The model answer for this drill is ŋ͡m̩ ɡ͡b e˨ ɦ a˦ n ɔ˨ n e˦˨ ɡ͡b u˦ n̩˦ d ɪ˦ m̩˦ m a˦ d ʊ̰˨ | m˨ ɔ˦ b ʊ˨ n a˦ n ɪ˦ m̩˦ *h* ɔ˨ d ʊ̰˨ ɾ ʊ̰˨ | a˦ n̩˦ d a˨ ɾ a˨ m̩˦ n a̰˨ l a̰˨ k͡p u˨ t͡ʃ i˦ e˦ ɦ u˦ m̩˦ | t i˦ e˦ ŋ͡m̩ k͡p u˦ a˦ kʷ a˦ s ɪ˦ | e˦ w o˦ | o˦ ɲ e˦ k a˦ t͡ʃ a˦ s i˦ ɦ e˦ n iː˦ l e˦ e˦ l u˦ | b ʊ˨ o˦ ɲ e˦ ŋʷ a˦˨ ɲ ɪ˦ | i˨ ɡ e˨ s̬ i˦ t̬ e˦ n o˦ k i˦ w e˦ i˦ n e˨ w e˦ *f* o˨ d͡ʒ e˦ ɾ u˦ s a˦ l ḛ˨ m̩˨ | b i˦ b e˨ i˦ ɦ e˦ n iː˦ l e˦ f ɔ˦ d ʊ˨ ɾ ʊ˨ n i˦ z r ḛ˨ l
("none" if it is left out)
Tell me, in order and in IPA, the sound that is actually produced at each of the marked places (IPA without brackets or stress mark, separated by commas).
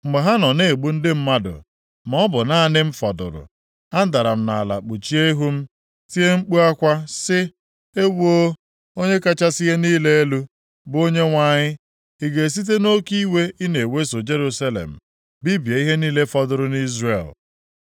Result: f, s